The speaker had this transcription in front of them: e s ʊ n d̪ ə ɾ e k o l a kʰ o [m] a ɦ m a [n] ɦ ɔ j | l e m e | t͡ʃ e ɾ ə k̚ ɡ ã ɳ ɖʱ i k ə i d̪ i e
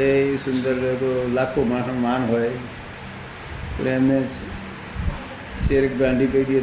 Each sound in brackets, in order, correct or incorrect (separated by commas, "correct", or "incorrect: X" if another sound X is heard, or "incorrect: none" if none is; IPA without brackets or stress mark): correct, correct